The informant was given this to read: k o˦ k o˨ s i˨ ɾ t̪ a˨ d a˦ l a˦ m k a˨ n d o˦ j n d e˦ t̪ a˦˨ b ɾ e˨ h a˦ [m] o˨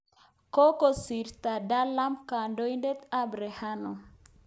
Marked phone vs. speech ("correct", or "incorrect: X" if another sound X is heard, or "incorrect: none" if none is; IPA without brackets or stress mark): incorrect: n